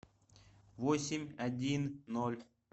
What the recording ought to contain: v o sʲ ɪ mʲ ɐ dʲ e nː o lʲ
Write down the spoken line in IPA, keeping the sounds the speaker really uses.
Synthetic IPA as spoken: v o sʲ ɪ mʲ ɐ dʲ i nː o lʲ